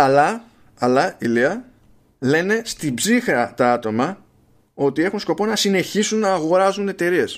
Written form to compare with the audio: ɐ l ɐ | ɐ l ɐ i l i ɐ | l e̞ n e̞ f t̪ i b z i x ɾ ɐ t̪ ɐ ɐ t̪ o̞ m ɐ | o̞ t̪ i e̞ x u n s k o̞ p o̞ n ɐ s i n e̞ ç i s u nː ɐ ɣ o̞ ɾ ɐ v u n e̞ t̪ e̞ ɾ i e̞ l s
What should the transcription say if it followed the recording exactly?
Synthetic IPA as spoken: ɐ l ɐ | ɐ l ɐ i l i ɐ | l e̞ n e̞ s t̪ i b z i x ɾ ɐ t̪ ɐ ɐ t̪ o̞ m ɐ | o̞ t̪ i e̞ x u n s k o̞ p o̞ n ɐ s i n e̞ ç i s u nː ɐː ɣ o̞ ɾ ɐ z u n e̞ t̪ e̞ ɾ i e̞ s